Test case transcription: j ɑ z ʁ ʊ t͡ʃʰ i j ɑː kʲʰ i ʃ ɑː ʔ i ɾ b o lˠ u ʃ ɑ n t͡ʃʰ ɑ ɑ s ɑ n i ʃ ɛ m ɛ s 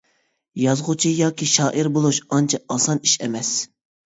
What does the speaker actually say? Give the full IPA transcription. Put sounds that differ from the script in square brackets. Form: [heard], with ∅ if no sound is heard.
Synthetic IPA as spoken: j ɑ z ʁ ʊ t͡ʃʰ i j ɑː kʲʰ i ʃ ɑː ʔ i ɾ b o lˠ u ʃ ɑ n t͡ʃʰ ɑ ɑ s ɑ n i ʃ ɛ m ɛ s